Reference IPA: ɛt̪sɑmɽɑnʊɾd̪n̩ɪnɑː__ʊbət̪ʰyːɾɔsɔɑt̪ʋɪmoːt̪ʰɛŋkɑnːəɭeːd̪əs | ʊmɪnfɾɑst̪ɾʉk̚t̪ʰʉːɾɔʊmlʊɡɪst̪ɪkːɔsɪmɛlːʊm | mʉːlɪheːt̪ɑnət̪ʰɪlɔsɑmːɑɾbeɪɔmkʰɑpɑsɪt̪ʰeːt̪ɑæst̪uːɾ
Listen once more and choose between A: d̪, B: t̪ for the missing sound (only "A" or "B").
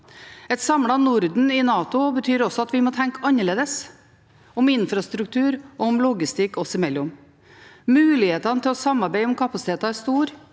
B